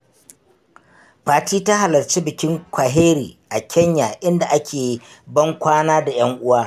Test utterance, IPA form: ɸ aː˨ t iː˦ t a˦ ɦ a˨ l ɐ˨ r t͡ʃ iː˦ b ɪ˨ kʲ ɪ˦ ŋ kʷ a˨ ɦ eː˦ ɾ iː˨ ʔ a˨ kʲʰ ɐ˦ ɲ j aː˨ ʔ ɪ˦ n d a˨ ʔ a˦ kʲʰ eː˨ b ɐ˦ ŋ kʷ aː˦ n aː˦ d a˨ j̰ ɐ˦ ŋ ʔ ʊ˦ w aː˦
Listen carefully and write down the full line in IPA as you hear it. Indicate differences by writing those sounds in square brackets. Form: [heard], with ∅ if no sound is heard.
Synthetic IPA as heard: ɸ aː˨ t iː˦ t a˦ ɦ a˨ l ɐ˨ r t͡ʃ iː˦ b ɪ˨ kʲ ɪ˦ ŋ kʷ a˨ ɦ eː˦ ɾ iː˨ ʔ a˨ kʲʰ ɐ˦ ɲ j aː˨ ʔ ɪ˦ n d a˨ ʔ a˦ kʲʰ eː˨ b ɐ˦ ŋ kʷ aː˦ n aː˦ d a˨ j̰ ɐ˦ ŋ ʔ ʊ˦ w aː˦